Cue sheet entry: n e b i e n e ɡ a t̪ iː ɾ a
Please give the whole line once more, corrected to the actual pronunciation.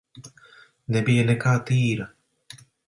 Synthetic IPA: n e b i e n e k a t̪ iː ɾ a